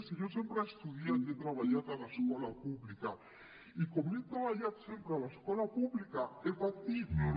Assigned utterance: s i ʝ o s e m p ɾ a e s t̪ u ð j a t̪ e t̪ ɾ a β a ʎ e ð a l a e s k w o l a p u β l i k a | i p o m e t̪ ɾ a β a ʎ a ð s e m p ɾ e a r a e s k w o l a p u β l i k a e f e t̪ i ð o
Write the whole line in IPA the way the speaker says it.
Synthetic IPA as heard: s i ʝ o s e m p ɾ a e s t̪ u ð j a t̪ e t̪ ɾ a β a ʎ a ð a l a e s k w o l a p u β l i k a | i k o m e t̪ ɾ a β a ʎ a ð s e m p ɾ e a l a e s k w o l a p u β l i k a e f a t̪ i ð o